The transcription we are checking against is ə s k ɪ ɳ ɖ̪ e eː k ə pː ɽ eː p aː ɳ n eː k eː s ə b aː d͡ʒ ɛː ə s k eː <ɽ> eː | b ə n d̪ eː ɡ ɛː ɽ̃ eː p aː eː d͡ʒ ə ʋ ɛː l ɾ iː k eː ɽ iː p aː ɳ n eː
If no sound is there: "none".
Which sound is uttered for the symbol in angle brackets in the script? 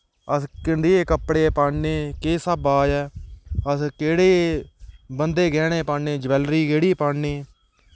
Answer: ɽ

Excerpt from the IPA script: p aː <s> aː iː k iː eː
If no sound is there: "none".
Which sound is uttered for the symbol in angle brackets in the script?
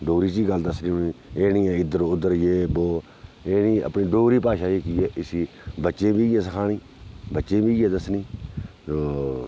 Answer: ʃ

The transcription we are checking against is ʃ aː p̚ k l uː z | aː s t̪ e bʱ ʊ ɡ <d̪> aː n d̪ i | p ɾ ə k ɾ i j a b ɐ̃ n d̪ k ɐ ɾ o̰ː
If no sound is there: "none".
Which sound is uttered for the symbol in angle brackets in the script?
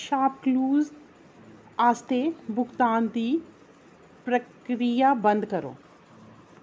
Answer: t̪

